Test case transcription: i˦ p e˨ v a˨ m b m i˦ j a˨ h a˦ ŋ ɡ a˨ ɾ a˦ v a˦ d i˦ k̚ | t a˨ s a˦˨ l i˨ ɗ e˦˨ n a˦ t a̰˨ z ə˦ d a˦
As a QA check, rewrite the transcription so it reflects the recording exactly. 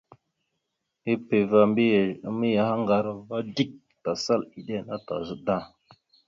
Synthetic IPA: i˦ p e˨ v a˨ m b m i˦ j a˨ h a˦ ŋ ɡ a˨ ɾ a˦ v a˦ d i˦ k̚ | t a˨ s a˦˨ l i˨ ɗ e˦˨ n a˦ t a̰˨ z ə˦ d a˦